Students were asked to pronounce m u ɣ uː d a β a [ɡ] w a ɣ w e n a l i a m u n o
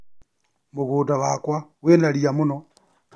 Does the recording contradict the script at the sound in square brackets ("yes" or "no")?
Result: yes